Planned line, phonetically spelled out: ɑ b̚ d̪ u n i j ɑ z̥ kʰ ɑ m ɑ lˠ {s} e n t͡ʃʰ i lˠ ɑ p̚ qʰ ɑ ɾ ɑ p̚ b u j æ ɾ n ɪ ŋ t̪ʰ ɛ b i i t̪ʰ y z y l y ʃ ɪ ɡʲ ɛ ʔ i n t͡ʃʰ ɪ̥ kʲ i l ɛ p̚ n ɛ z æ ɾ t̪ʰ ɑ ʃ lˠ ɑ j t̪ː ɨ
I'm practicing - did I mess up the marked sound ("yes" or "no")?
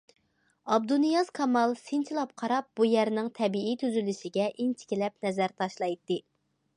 no